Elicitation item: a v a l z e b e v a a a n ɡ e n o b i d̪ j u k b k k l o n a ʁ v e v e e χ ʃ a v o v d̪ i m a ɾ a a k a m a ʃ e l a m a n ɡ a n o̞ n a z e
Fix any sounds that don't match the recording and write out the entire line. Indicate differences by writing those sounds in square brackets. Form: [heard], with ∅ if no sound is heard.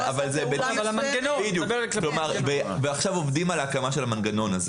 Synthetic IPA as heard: a v a l z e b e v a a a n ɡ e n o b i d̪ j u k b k k l o [m] a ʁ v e v e [a] χ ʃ a v o v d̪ i m a [l] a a k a m a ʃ e l a m a n ɡ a n o̞ n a z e

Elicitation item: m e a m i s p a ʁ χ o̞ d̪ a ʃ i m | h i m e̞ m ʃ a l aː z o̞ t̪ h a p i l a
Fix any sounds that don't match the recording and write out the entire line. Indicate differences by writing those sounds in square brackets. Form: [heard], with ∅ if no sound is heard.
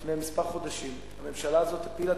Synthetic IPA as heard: m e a m i s p a ʁ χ o̞ d̪ a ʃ i m | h [a] m e̞ m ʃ a l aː z o̞ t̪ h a p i l a

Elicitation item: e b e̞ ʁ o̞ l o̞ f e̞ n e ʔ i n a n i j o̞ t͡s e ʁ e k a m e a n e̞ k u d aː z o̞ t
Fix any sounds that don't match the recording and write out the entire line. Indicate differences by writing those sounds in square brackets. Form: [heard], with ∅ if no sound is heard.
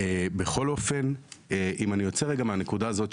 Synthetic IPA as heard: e b e̞ [χ] o̞ l o̞ f e̞ n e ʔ i [m] a n i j o̞ t͡s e ʁ e [ɡ] a m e a n e̞ k u d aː z o̞ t

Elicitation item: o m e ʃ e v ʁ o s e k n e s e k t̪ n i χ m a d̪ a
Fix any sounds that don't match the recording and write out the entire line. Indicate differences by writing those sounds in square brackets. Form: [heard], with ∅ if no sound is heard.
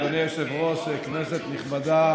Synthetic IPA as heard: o [n] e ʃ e v ʁ o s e k n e s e [∅] t̪ n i χ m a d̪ a

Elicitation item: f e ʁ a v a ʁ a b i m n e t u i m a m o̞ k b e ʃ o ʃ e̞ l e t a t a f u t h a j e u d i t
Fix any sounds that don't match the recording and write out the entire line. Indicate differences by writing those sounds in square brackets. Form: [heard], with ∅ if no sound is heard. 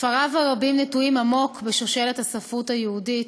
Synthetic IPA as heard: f [a] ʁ a v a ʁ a b i m n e t u i m a m o̞ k b e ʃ o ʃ e̞ l e t a [s] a f u t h a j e u d i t

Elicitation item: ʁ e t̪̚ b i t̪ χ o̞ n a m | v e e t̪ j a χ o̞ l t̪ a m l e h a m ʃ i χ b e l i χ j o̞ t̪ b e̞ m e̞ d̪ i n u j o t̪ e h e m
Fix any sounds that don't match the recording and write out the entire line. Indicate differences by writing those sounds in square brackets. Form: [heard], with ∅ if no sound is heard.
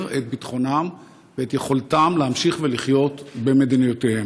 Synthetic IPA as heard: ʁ e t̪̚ b i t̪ χ o̞ n a m | v e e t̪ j [e] χ o̞ l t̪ a m l e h a m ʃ i χ [v] e l i χ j o̞ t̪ b e̞ m e̞ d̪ i n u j o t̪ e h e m

